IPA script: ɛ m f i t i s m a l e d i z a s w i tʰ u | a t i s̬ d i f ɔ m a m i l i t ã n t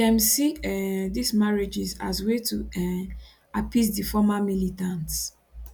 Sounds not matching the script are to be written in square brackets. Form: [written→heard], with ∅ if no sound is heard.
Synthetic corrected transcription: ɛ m [f→s] i [t→d] i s m a [l→ɹ] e [d→d͡ʒ] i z a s w [i→e] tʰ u | a [t→p] i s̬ d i f ɔ m a m i l i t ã n t